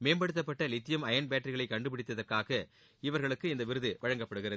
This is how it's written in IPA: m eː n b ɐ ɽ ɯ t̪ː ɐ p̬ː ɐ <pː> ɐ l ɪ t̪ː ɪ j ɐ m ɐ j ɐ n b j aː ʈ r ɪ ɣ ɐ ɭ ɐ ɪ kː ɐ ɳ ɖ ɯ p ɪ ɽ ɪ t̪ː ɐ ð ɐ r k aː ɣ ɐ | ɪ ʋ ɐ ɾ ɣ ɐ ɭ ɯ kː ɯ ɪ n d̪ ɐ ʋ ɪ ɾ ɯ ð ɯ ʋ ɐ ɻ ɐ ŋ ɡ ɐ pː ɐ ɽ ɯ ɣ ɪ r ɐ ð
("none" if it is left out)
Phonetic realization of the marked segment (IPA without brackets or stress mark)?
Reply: ʈː